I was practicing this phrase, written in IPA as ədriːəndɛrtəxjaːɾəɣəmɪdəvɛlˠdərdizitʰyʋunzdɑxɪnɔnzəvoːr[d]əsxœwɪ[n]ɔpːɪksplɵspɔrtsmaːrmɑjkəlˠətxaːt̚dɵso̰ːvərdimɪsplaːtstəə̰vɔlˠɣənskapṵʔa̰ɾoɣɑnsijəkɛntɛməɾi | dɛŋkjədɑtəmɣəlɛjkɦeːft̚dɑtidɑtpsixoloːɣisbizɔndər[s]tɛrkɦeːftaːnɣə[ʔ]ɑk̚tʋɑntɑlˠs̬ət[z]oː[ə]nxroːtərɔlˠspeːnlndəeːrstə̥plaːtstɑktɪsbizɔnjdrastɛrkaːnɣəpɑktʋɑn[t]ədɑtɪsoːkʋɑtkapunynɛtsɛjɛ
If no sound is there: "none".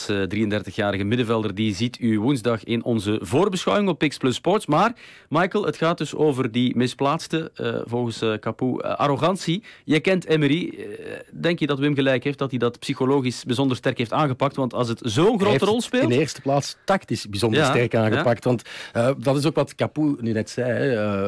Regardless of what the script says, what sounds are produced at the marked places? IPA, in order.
b, ŋ, s, p, z, ə, t

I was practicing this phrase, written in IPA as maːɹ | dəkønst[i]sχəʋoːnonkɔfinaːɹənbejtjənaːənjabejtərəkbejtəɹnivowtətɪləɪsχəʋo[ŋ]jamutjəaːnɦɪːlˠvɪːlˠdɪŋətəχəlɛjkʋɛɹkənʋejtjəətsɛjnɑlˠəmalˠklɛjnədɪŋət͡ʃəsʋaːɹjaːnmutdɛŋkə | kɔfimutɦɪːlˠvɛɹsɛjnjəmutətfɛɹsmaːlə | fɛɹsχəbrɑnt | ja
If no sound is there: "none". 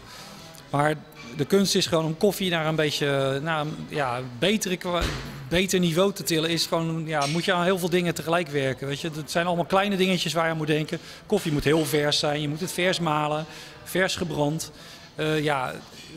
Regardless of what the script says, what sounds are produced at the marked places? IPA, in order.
ɪ, n

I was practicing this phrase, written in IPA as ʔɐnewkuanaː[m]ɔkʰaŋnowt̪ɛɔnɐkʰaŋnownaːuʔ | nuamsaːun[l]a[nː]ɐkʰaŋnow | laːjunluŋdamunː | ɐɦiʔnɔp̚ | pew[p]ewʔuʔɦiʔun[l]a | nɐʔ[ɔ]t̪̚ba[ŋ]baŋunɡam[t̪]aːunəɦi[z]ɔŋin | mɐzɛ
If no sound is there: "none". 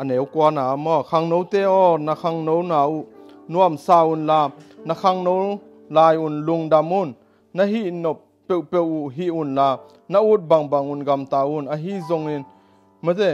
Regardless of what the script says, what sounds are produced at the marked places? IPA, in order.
m, l, n, p, l, u, ŋ, t̪, z

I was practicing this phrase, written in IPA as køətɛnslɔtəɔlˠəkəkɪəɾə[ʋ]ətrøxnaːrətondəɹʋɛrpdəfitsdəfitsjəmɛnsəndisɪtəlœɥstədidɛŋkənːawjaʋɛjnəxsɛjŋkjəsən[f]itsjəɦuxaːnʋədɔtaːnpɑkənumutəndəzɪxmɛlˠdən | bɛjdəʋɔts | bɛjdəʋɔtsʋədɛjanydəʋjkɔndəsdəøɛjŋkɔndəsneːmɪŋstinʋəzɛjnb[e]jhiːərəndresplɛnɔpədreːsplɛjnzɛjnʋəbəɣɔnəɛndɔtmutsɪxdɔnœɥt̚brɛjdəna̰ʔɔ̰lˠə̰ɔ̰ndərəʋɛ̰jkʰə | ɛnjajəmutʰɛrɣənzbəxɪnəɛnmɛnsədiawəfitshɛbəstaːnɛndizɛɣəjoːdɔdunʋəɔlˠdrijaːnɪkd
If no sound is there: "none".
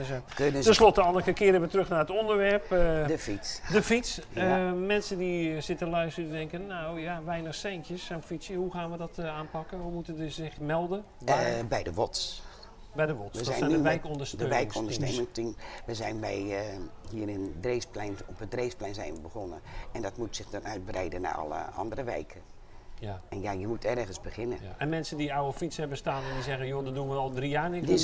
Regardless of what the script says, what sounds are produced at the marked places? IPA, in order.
ʋ, f, ɛ

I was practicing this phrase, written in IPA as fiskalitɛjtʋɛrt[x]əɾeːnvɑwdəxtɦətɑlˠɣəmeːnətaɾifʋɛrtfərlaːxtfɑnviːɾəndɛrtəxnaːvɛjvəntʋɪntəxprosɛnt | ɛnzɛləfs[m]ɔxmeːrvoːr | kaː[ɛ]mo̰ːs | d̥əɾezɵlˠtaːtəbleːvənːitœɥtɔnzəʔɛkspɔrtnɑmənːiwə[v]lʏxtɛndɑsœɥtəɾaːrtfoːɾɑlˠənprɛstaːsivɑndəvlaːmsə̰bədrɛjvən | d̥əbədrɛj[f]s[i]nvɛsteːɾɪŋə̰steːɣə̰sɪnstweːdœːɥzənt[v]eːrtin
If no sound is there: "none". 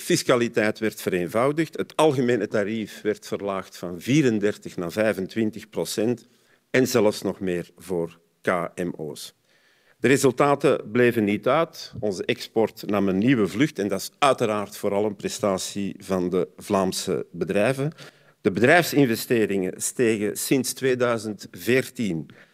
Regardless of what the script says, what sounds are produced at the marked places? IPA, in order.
f, n, ɛ, v, f, ɪ, v

